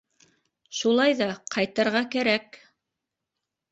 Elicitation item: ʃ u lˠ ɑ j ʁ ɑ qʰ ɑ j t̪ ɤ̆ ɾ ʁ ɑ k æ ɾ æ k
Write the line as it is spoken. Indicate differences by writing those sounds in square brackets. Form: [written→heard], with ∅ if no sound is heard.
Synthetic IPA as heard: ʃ u lˠ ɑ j [ʁ→ð] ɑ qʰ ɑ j t̪ ɤ̆ ɾ ʁ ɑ k æ ɾ æ k